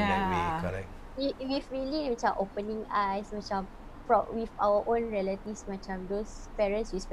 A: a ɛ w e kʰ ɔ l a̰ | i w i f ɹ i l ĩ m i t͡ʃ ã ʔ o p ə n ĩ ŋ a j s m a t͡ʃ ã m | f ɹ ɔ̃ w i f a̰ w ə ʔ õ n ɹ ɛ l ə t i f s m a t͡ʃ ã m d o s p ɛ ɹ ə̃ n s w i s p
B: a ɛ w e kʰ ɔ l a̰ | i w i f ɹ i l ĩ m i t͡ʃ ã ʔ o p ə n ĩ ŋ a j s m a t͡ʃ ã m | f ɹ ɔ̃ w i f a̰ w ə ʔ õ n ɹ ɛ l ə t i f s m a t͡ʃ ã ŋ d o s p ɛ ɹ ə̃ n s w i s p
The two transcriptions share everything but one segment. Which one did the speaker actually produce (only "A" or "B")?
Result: A